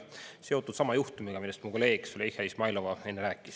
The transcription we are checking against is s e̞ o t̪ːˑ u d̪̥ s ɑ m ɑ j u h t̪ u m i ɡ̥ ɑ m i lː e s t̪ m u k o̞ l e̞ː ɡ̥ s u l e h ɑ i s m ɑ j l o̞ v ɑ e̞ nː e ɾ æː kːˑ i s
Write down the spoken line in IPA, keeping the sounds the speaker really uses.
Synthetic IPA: s e̞ o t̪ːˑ u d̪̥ s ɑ m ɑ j u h t̪ u m i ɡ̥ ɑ m i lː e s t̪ m u k o̞ l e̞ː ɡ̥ s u l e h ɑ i s m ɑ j l o̞ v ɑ e̞ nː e ɾ æː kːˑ i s